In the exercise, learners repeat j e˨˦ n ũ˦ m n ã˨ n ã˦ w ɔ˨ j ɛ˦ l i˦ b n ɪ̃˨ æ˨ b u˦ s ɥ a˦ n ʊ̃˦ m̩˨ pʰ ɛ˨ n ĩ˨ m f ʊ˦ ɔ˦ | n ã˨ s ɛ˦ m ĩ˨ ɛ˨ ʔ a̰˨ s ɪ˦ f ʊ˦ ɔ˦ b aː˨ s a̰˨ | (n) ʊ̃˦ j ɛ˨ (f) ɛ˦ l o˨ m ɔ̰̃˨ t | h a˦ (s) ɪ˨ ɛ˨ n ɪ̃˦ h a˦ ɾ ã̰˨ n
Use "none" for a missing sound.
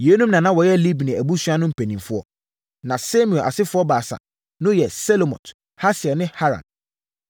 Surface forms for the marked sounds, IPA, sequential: n, s, s

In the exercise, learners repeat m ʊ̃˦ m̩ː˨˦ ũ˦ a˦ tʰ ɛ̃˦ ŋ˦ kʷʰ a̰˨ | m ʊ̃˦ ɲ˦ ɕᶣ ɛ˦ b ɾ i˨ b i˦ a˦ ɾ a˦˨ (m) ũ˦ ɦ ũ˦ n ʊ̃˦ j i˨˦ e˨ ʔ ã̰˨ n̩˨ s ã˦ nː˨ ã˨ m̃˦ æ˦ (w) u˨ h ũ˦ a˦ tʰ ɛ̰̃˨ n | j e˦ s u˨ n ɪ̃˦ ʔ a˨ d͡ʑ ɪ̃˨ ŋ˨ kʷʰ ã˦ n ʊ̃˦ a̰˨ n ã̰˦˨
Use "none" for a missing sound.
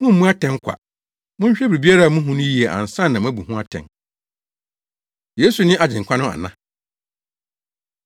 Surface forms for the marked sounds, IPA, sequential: m, b

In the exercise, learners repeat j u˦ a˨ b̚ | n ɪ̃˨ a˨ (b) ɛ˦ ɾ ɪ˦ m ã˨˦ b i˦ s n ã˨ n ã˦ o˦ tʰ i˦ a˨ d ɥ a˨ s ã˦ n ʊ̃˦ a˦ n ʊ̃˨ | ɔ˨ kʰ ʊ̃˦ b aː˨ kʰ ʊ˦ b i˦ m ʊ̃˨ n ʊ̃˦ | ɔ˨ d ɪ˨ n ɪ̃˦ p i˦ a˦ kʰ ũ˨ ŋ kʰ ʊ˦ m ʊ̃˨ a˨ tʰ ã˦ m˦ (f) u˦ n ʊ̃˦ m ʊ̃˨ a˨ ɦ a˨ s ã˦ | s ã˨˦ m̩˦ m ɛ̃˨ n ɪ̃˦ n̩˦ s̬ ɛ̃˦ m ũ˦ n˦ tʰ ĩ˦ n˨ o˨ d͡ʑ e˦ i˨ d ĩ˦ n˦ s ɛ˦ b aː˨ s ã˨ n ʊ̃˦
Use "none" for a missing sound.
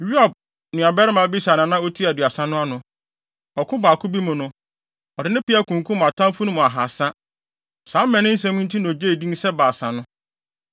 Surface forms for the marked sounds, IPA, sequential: b, f

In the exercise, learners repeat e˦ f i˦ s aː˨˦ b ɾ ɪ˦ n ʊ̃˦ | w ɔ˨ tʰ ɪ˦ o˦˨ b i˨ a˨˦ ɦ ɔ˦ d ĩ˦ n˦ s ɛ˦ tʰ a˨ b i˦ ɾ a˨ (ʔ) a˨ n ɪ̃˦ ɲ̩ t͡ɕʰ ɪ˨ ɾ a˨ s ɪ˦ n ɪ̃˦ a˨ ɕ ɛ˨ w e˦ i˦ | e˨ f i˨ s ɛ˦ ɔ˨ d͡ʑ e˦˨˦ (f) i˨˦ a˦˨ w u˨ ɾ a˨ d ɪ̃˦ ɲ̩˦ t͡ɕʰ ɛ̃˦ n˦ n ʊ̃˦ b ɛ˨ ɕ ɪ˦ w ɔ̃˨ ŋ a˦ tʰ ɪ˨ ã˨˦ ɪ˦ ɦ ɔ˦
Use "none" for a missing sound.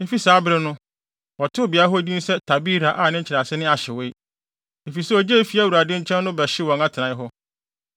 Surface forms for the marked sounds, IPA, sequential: ʔ, f

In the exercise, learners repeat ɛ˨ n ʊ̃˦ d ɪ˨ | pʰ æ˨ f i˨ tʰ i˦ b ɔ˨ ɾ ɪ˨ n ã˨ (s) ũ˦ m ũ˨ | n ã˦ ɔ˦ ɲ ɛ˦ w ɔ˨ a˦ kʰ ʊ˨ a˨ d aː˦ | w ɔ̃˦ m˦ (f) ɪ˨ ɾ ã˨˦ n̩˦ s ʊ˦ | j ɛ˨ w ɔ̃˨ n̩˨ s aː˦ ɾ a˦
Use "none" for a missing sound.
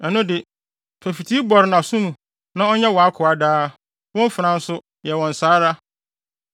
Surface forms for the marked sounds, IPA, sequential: s, f

